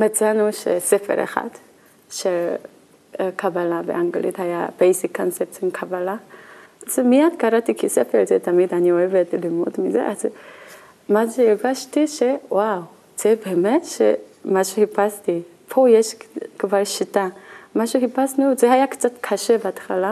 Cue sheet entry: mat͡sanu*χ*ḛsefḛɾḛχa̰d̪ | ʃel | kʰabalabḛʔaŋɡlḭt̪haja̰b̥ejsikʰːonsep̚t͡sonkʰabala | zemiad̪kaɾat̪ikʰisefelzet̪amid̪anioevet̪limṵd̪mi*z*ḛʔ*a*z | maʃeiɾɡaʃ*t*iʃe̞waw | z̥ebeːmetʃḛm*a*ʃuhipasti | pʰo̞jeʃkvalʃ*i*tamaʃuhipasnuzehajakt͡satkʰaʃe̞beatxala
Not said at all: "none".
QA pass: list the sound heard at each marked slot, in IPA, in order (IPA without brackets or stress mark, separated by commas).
ʃ, z, a, t, a, i